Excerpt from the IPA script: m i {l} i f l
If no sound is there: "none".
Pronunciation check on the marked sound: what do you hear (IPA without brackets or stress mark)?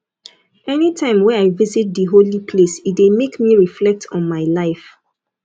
ɹ